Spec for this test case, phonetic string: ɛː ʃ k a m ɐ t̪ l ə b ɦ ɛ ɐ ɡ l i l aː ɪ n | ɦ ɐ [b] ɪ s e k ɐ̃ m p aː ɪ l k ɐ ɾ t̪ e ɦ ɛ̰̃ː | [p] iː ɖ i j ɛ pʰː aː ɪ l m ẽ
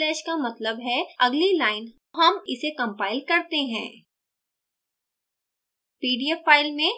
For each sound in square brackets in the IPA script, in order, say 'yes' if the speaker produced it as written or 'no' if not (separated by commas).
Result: no, yes